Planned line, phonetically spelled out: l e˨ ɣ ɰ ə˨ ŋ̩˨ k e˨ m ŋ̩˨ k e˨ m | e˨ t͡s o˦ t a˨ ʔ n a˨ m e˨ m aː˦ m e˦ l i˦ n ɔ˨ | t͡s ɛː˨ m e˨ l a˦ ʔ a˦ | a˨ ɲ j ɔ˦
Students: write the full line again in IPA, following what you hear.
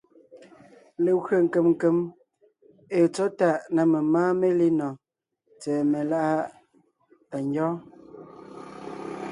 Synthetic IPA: l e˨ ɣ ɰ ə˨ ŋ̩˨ k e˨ m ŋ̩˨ k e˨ m | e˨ t͡s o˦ t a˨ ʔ n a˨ m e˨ m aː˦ m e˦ l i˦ n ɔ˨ | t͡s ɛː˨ m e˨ l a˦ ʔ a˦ | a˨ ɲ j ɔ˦